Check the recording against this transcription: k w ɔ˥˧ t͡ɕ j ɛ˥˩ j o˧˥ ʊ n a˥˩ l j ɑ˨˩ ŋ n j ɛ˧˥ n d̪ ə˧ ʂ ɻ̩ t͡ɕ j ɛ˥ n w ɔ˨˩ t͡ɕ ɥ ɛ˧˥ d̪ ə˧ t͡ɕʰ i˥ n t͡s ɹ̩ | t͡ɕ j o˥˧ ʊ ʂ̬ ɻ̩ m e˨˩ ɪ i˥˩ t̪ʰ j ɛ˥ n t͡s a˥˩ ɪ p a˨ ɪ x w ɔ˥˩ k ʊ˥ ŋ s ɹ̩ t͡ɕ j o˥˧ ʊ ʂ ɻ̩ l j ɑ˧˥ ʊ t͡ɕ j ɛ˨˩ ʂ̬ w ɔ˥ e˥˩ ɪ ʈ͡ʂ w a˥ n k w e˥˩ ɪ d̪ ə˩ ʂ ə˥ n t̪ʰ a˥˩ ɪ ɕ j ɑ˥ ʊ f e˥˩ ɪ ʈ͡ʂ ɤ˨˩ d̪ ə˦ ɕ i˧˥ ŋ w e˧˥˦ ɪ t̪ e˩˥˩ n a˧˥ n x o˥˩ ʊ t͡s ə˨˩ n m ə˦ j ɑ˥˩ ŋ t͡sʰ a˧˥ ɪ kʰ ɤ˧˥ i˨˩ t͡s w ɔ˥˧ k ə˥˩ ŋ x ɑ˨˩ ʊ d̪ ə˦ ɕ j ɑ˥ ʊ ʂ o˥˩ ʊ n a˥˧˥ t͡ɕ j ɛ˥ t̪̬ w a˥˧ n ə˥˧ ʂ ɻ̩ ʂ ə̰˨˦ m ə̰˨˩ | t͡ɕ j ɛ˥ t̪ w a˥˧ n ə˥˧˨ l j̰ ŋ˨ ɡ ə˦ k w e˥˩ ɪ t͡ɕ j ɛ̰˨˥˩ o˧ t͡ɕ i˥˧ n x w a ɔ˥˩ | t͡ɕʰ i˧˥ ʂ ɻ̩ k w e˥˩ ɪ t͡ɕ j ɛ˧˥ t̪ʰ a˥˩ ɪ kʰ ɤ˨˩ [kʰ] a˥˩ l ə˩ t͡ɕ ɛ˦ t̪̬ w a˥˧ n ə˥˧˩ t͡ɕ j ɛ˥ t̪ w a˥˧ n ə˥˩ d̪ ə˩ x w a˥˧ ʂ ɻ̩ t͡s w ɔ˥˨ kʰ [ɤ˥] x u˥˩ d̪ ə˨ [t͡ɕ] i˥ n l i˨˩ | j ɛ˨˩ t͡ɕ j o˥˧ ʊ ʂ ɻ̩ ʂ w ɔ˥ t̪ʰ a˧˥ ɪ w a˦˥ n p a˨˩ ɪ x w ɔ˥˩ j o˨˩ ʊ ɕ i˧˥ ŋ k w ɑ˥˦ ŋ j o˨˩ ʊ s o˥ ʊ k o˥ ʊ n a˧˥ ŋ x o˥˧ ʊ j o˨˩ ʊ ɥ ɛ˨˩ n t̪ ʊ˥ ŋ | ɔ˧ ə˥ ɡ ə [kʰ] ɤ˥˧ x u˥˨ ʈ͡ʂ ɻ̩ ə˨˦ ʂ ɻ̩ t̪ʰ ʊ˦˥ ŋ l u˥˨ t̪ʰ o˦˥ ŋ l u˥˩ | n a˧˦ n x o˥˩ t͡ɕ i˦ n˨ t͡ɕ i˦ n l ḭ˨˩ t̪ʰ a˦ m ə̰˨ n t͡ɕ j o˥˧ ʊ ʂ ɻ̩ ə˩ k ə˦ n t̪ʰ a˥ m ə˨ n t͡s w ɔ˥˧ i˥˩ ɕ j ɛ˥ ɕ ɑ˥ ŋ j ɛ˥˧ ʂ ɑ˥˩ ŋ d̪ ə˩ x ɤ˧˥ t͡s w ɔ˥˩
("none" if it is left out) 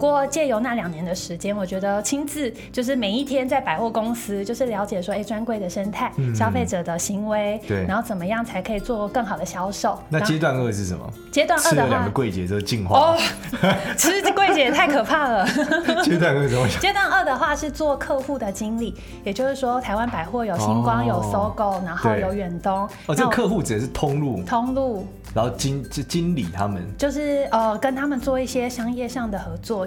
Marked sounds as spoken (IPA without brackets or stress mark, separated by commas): pʰ, ɤ˥˧, t͡ɕ, kʰ